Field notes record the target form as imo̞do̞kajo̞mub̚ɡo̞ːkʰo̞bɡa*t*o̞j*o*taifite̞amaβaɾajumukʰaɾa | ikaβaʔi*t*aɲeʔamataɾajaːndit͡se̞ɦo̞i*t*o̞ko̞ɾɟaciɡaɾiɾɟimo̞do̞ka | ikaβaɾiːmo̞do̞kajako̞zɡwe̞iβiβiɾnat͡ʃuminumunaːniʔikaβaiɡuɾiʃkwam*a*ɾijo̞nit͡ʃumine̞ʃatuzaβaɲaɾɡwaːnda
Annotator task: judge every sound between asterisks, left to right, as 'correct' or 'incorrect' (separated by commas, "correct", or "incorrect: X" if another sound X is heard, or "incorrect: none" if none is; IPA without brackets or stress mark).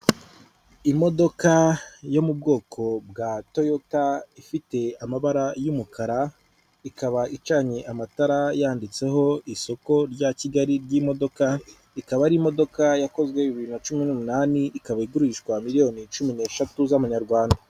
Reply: correct, correct, incorrect: t͡ʃ, incorrect: s, incorrect: i